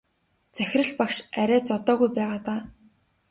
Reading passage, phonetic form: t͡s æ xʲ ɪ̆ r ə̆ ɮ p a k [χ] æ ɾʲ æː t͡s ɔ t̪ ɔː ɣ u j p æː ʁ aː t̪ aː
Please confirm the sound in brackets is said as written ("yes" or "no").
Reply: no